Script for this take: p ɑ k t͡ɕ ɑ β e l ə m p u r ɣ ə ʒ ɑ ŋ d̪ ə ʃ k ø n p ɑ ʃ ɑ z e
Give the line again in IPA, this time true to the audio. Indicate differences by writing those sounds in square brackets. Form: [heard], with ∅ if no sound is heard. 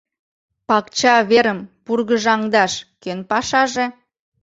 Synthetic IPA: p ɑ k t͡ɕ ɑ β e [ɾ] ə m p u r ɣ ə ʒ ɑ ŋ d̪ [ɑ] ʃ k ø n p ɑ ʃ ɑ [ʒ] e